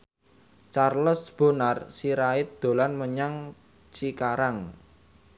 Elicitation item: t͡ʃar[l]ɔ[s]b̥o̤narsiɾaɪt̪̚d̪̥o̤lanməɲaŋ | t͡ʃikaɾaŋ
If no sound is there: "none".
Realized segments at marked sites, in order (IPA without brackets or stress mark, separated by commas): l, s